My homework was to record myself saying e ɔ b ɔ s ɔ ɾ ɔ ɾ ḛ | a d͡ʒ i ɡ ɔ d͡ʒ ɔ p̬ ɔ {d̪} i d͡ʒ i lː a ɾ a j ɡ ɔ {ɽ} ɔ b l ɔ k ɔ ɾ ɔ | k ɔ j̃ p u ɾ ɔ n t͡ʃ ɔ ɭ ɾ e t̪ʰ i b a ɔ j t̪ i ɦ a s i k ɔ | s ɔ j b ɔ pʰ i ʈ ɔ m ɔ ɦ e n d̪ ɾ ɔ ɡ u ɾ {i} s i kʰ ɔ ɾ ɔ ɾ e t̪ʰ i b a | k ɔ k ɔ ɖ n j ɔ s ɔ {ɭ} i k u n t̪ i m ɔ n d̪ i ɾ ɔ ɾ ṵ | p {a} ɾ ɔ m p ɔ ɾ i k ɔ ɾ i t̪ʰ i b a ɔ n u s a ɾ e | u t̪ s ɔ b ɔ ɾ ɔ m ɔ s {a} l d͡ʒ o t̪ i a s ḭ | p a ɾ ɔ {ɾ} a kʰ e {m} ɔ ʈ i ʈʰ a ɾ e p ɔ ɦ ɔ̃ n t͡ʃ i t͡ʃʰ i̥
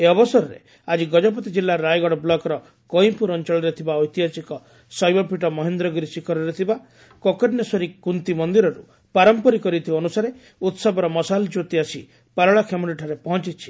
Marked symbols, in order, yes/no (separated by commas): no, yes, yes, no, yes, yes, no, yes